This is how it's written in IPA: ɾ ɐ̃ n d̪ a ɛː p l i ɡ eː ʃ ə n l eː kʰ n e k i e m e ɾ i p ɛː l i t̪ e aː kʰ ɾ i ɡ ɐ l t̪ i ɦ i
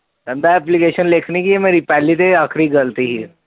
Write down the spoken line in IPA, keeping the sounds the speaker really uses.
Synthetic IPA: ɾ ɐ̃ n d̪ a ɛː p l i k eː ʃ ə n l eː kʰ n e k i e m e ɾ i p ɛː l i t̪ e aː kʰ ɾ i ɡ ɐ l t̪ i ɦ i